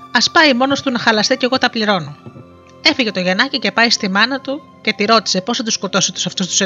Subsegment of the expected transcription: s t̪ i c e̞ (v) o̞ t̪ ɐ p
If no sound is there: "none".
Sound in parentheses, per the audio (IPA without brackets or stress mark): ɣ